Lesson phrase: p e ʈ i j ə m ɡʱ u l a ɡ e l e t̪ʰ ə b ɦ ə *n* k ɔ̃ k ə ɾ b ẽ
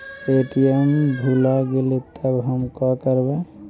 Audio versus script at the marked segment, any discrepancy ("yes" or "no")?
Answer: yes